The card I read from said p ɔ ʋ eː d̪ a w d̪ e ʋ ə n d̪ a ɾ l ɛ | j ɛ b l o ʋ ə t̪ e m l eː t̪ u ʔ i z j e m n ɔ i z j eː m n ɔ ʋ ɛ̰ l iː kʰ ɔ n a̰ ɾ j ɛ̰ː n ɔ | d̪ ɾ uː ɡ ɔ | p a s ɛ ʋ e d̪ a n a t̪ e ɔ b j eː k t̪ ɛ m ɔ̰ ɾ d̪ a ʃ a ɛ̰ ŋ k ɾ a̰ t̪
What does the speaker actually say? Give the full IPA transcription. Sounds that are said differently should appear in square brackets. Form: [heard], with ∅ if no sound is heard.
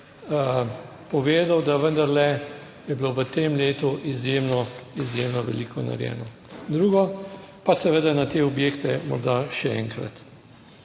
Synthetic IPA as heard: p ɔ ʋ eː d̪ a w d̪ [a] ʋ ə n d̪ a ɾ l ɛ | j ɛ b l o ʋ ə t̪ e m l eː t̪ u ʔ i z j e m n ɔ i z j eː m n ɔ ʋ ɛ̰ l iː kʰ ɔ n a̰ ɾ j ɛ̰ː n ɔ | d̪ ɾ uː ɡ ɔ | p a s ɛ ʋ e d̪ a n a t̪ e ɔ b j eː k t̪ ɛ m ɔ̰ ɾ d̪ a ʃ [ɛ] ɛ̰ ŋ k ɾ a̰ t̪

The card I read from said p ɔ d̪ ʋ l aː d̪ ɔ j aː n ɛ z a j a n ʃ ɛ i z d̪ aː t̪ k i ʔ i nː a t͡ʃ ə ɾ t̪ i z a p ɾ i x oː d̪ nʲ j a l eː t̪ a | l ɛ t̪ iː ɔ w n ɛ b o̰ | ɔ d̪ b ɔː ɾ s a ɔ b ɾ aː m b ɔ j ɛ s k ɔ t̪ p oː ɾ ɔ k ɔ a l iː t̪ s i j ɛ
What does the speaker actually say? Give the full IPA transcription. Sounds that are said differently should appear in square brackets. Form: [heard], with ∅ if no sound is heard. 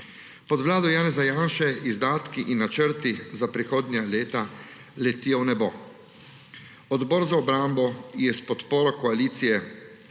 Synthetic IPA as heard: p ɔ d̪ ʋ l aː d̪ ɔ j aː n ɛ z a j a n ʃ ɛ i z d̪ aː t̪ k i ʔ i nː a t͡ʃ ə ɾ t̪ i z a p ɾ i x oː d̪ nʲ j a l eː t̪ a | l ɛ t̪ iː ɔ w n ɛ b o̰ | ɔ d̪ b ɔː ɾ [z] a ɔ b ɾ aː m b ɔ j ɛ s [p] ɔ t̪ p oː ɾ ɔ k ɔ a l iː t̪ s i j ɛ

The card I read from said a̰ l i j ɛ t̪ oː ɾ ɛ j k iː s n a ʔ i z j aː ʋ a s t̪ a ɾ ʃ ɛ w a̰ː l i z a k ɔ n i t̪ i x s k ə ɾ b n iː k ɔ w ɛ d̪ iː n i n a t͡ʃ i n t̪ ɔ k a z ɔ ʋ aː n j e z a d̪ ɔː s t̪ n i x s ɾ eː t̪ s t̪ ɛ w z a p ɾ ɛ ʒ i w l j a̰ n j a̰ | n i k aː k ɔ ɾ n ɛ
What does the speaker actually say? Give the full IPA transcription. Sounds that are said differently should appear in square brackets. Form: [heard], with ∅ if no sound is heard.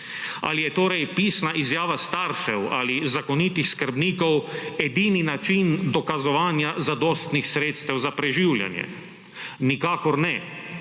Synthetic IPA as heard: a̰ l i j ɛ t̪ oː ɾ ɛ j [p] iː s n a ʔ i z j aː ʋ a s t̪ a ɾ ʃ ɛ w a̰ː l i z a k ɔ n i t̪ i x s k ə ɾ b n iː k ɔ w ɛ d̪ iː n i n a t͡ʃ i n [d̪] ɔ k a z ɔ ʋ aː n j [a] z a d̪ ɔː s t̪ n i x s ɾ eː t̪ s t̪ ɛ w z a p ɾ ɛ ʒ i w l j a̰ n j [ɛ̰] | n i k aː k ɔ ɾ n ɛ

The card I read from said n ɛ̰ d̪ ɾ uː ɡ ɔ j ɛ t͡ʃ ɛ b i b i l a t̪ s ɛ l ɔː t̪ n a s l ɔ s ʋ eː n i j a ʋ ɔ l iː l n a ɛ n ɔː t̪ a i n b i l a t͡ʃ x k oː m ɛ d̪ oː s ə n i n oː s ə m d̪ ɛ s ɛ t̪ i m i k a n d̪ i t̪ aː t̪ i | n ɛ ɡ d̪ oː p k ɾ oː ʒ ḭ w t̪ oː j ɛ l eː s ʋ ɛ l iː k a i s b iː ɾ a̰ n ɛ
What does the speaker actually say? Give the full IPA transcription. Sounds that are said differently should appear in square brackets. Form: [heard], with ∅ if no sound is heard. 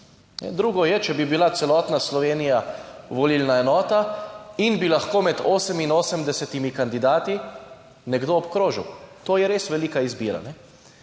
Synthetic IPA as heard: n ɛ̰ d̪ ɾ uː ɡ ɔ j ɛ t͡ʃ ɛ b i b i l a t̪ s ɛ l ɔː t̪ n a s l ɔ [∅] ʋ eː n i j a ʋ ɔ l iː l n a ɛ n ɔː t̪ a i n b i l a [∅] x k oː m ɛ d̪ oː s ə [m] i n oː s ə m d̪ ɛ s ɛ t̪ i m i k a n d̪ i [d̪] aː t̪ i | n ɛ ɡ d̪ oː p k ɾ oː ʒ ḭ w t̪ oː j ɛ [ɾ] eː s ʋ ɛ l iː k a i [z] b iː ɾ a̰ n ɛ

